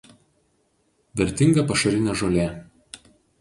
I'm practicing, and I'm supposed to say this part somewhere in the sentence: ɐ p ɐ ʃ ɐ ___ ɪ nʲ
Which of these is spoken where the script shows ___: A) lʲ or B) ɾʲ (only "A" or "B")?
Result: B